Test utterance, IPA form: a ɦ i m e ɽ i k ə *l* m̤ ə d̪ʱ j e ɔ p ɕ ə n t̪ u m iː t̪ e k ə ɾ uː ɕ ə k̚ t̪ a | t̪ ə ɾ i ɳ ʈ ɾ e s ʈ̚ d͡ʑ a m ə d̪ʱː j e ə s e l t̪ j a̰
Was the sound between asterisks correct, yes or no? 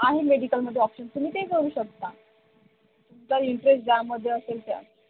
yes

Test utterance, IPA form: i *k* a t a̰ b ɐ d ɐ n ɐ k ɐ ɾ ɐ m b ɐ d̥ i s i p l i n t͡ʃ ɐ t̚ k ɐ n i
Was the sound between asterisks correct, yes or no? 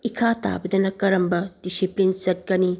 no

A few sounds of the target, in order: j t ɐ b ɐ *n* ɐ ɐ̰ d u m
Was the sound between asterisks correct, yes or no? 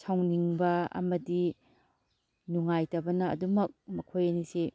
yes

